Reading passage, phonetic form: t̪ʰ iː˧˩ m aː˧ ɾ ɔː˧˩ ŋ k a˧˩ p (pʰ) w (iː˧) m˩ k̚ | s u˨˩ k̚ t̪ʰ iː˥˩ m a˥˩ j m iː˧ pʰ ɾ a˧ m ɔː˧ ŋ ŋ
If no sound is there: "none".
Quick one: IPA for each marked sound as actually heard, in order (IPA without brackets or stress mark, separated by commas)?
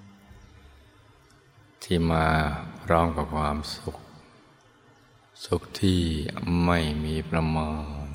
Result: kʰ, aː˧